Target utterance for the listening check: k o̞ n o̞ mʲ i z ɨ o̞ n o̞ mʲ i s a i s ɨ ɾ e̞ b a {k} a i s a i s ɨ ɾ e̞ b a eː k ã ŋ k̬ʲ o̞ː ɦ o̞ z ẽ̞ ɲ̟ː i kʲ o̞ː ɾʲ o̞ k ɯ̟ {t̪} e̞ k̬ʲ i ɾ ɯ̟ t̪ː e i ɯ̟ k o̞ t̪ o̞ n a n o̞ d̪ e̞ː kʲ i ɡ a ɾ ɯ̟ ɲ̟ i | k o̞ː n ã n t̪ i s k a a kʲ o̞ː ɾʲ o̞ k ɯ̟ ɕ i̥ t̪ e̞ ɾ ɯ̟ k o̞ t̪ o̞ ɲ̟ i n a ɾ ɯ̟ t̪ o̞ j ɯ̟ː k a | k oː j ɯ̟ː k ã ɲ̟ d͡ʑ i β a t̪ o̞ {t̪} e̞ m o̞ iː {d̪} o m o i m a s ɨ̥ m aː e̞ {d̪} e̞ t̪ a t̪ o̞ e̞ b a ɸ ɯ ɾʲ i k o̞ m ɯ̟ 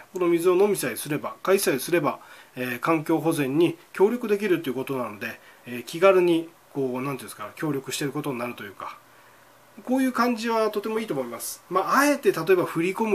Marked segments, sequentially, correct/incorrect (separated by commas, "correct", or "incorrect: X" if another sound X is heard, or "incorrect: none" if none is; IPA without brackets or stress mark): correct, incorrect: d̪, correct, incorrect: t̪, incorrect: t̪